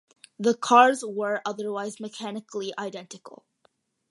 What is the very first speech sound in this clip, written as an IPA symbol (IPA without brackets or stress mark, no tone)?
ð